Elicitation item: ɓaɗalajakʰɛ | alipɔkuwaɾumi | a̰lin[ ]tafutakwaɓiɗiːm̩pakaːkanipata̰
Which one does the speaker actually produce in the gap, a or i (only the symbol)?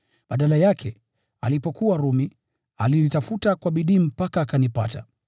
i